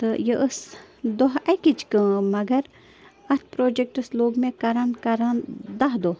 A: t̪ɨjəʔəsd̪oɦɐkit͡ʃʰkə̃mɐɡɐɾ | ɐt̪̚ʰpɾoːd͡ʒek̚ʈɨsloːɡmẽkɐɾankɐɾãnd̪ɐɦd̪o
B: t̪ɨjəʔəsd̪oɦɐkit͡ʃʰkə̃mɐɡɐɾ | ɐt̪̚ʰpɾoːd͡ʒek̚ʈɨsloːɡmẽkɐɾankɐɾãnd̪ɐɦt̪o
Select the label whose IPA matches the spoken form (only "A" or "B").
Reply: A